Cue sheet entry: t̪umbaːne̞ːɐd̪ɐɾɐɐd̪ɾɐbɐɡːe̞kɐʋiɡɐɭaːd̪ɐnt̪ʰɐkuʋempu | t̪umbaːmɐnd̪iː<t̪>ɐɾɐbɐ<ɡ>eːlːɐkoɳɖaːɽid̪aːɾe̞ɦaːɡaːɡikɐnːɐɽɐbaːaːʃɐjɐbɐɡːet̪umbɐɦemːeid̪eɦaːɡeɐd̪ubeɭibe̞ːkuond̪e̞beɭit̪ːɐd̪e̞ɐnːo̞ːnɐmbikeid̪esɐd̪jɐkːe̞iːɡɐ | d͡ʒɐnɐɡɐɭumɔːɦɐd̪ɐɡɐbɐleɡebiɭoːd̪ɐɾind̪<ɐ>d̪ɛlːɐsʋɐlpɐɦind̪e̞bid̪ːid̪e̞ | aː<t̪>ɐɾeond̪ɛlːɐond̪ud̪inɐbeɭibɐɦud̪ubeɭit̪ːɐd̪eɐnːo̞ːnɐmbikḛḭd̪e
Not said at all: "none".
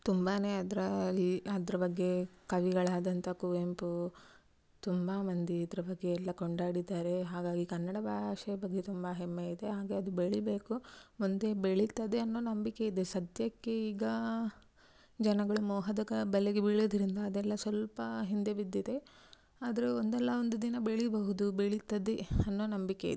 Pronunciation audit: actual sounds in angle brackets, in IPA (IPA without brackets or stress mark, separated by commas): d̪, ɡː, ɐː, d̪